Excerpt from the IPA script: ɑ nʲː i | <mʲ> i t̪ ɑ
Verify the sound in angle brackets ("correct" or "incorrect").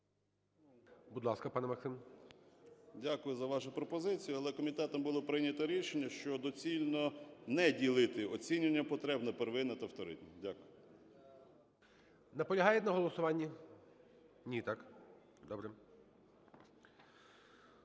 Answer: incorrect